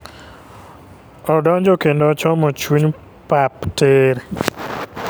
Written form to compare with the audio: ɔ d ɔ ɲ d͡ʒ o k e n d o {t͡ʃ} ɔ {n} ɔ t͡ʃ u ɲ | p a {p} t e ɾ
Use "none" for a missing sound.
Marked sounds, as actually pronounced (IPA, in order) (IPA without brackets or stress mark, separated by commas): t͡ʃ, m, p